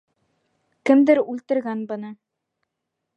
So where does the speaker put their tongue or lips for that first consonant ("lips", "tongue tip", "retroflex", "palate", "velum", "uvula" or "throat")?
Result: velum